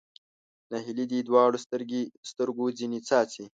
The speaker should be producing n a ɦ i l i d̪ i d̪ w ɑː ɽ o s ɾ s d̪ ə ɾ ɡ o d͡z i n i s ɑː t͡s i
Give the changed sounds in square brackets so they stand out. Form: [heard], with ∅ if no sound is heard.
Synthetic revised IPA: n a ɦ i l i d̪ i d̪ w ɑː ɽ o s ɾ s [t̪] ə ɾ ɡ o d͡z i n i [t͡s] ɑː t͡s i